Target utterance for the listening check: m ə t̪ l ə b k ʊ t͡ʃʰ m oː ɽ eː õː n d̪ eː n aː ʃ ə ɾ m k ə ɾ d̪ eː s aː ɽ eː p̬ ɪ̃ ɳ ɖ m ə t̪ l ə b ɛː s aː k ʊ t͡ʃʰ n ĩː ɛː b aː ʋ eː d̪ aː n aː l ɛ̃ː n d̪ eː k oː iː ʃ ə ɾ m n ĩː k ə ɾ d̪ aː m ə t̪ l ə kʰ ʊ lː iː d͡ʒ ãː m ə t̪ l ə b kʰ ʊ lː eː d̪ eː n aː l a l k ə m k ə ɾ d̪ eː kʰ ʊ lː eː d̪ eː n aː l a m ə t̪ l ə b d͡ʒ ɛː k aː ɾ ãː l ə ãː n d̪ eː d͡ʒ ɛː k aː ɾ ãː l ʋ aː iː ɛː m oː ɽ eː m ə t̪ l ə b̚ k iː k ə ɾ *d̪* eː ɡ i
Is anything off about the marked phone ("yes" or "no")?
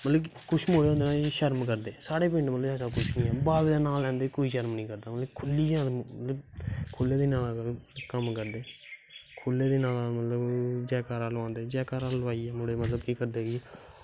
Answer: no